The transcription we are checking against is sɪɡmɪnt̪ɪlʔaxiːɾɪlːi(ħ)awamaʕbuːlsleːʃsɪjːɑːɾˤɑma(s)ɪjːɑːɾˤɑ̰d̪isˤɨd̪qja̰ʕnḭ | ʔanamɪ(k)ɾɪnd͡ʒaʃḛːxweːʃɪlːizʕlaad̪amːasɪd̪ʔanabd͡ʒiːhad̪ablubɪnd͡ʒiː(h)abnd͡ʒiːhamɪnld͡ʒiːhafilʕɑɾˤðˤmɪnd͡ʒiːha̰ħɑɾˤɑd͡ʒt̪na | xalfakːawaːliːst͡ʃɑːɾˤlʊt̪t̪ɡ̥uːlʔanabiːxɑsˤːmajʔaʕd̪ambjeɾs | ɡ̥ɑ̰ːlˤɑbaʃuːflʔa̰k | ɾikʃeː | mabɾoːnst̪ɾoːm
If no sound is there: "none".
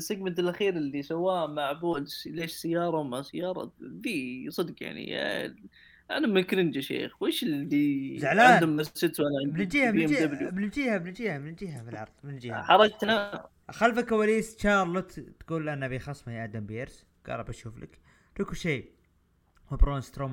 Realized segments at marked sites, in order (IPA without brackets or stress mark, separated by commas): s, s, k, h